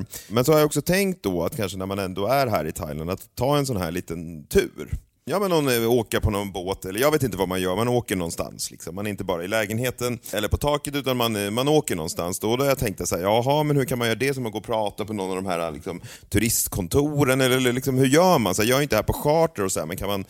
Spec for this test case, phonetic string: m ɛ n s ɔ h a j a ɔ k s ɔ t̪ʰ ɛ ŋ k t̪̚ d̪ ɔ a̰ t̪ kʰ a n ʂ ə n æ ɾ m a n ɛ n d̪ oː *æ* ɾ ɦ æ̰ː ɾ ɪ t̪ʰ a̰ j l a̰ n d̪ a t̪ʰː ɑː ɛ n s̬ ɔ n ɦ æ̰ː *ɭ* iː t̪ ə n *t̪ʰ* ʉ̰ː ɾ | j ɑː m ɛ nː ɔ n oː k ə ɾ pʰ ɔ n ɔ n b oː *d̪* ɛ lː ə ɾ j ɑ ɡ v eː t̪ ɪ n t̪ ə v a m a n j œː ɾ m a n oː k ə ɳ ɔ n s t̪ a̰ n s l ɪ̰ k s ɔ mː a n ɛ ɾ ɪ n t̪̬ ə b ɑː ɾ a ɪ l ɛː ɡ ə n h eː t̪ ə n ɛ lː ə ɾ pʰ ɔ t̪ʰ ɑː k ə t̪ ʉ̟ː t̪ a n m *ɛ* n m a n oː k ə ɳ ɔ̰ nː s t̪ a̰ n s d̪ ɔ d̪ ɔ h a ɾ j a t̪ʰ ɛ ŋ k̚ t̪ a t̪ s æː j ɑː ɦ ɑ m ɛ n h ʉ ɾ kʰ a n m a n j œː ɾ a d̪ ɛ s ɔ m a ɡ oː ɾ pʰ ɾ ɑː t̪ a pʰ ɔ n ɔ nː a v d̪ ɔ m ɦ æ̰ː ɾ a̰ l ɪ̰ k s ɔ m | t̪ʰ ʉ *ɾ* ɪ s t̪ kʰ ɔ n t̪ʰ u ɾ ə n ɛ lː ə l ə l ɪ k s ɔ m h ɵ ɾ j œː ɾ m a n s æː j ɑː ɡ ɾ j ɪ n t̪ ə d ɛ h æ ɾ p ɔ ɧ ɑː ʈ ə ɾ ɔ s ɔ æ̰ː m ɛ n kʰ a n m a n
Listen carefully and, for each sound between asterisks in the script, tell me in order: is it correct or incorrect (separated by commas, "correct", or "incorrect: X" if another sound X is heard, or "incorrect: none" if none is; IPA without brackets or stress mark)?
correct, correct, correct, incorrect: t̪, incorrect: a, correct